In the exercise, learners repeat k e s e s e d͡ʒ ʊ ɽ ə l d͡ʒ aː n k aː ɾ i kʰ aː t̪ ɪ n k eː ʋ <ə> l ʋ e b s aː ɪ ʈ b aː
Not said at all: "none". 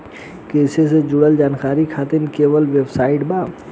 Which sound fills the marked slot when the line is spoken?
ə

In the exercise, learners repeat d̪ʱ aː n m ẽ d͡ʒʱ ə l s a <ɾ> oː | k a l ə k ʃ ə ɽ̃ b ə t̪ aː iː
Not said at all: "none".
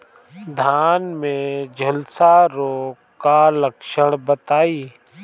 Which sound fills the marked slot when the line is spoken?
ɾ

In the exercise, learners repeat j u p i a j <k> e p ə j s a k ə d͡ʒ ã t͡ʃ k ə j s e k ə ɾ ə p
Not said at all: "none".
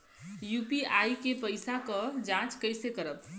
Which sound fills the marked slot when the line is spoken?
k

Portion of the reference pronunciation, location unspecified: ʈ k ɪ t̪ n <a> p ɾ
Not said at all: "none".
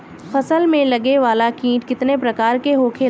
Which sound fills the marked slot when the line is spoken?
e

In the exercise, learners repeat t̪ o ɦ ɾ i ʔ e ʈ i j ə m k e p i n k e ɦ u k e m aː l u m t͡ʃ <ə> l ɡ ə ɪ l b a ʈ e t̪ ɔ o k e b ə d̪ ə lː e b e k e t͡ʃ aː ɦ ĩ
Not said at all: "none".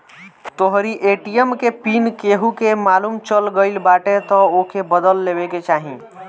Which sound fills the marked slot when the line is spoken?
ə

